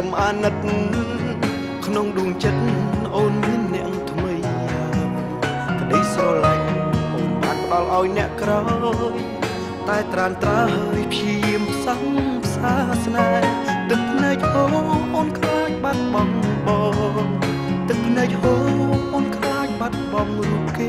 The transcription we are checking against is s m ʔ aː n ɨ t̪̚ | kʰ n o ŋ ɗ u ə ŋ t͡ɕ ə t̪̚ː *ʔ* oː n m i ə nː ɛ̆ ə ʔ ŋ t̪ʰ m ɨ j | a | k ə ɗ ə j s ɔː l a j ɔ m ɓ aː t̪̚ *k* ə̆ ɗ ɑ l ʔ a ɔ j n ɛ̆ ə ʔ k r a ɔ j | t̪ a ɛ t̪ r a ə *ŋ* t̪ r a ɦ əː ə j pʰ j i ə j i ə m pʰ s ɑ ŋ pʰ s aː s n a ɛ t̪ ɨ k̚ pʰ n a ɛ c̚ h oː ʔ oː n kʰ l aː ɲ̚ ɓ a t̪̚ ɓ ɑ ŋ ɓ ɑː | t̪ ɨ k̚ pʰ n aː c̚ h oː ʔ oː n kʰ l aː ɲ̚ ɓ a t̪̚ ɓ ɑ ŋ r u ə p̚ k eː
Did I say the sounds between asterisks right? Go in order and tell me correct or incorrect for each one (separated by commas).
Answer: correct, incorrect, incorrect